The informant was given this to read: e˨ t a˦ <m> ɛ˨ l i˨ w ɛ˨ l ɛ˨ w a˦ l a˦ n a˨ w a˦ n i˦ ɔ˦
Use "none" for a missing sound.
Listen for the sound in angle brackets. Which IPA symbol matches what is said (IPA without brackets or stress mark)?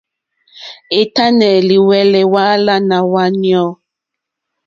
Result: n